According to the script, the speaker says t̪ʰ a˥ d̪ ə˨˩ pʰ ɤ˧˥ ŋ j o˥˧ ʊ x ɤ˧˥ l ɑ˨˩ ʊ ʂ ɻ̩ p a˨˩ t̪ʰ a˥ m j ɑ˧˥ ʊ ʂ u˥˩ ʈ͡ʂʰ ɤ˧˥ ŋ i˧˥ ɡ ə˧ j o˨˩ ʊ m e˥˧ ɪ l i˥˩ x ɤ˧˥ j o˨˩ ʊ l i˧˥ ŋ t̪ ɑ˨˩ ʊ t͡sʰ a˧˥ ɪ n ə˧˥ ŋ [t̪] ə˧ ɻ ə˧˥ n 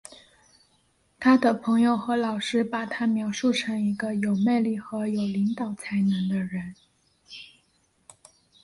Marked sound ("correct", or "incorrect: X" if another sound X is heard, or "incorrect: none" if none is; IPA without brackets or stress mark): incorrect: d̪